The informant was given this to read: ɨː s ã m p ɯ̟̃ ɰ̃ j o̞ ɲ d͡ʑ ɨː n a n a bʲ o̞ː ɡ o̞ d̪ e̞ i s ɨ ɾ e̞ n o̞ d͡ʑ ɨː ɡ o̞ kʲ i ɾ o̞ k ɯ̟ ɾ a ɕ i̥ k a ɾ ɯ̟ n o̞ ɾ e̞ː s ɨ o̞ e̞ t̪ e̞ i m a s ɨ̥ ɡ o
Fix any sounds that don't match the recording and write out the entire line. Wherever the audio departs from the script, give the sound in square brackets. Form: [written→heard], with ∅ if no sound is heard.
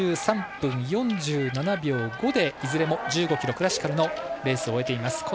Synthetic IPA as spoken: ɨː s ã m p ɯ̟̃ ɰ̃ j [o̞→õ̞] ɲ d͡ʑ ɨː n a n a bʲ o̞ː ɡ o̞ d̪ e̞ i [s→z] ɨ ɾ e̞ [n→m] o̞ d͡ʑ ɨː ɡ o̞ kʲ i ɾ o̞ k ɯ̟ ɾ a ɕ i̥ k a ɾ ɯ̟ n o̞ ɾ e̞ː s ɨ o̞ e̞ t̪ e̞ i m a s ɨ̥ [ɡ→k] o